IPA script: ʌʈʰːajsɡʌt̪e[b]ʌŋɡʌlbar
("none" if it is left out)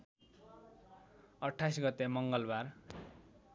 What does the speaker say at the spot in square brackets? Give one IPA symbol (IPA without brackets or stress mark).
m